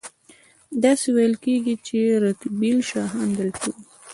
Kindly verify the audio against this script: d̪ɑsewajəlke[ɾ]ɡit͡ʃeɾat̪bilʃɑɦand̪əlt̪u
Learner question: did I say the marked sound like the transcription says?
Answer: no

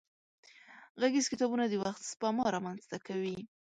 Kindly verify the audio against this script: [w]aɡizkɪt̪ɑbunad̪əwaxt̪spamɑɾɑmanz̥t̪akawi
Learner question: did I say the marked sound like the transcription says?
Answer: no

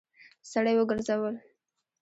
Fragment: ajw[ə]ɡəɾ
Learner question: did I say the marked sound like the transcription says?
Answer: yes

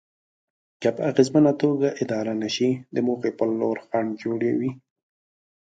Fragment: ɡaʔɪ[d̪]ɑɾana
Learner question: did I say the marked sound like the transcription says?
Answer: yes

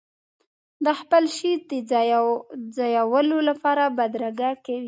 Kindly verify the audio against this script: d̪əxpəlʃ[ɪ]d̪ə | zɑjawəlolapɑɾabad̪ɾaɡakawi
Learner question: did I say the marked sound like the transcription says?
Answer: no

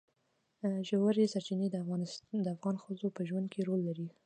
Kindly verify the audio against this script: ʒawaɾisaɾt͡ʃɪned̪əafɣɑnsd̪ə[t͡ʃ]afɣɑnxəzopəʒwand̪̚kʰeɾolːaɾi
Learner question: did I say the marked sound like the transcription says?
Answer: no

